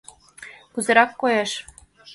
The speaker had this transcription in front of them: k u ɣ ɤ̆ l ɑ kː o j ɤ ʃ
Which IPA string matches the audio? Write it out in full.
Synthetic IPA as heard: k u z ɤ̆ ɾ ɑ kː o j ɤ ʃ